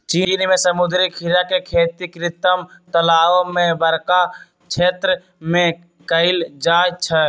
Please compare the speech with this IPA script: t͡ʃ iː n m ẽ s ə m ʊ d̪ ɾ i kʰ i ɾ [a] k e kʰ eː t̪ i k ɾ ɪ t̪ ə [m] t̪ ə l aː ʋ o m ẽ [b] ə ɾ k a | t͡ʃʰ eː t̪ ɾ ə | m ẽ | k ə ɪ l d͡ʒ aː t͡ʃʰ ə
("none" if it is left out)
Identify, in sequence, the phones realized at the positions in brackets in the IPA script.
a, m, b

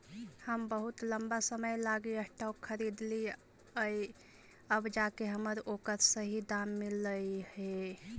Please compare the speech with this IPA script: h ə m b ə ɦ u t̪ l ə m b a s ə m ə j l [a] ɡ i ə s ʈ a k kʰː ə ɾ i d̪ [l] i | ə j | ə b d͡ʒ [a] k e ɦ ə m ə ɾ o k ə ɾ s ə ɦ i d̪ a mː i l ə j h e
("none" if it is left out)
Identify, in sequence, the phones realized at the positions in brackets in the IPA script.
a, l, a

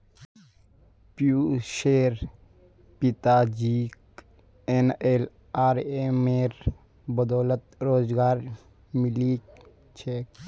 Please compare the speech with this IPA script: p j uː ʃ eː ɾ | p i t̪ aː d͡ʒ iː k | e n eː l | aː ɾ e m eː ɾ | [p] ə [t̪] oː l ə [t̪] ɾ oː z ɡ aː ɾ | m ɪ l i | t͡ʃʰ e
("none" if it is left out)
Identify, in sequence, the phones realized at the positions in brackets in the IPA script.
b, d̪, t̪

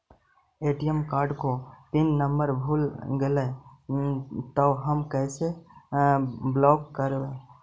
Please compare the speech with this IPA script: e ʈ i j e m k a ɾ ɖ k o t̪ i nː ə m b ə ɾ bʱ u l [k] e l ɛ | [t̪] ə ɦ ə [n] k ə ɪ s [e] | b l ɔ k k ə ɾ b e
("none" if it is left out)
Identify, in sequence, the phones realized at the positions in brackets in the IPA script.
ɡ, t̪, m, e

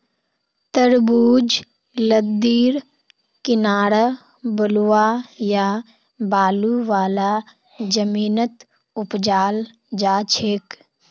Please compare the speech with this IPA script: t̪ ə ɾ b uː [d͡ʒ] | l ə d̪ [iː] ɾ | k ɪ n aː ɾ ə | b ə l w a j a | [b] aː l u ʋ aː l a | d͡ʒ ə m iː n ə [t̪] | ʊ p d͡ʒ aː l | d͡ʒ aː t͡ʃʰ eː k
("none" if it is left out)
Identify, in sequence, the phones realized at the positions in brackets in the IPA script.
d͡ʒ, iː, b, t̪

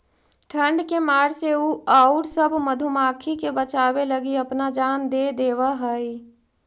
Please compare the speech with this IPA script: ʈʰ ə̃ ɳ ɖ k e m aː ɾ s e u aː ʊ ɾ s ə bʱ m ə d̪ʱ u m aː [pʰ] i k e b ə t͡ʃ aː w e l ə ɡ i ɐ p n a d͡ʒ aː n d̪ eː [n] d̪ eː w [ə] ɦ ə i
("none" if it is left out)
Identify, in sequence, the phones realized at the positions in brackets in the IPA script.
kʰ, none, a

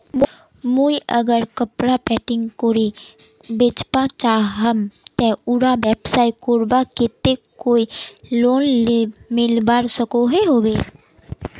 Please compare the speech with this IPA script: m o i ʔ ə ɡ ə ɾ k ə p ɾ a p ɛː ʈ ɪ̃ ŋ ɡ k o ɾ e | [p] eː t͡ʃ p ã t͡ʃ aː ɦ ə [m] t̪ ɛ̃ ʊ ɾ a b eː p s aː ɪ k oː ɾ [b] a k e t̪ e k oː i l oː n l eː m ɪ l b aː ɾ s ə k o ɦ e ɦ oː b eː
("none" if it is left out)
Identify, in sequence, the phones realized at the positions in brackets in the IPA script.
b, m, b

